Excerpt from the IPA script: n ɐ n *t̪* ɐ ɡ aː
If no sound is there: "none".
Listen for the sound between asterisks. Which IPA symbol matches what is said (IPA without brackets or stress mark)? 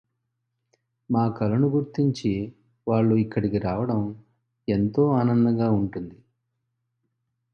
d̪